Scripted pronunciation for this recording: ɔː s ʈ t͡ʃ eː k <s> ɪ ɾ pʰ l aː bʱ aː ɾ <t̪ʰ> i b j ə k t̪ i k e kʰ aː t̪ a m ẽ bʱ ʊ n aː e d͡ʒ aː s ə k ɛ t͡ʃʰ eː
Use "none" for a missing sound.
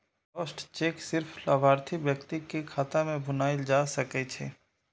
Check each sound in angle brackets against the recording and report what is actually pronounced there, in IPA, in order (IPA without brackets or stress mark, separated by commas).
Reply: s, t̪ʰ